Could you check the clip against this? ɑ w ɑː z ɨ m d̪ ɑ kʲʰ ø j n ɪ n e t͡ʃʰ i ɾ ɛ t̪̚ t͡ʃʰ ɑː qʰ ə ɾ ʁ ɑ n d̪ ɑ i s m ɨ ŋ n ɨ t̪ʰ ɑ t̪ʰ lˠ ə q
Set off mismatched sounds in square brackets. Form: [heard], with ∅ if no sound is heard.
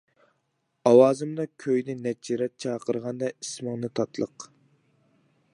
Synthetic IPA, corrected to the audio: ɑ w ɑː z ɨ m d̪ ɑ kʲʰ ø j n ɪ n [ɛ] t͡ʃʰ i ɾ ɛ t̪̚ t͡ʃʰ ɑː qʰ ə ɾ ʁ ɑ n d̪ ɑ i s m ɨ ŋ n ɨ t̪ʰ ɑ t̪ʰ lˠ ə q